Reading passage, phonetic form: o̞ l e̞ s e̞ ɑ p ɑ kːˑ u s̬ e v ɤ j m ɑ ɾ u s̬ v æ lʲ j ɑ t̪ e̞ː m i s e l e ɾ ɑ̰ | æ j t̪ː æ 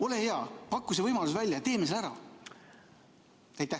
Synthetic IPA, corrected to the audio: o̞ l e̞ h e̞ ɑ p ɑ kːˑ u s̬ e v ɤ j m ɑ l u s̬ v æ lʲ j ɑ t̪ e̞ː m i s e l æ ɾ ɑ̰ | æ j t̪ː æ